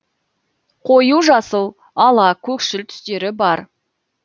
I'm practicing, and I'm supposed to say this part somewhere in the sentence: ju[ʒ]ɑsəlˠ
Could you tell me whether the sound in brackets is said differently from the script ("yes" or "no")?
no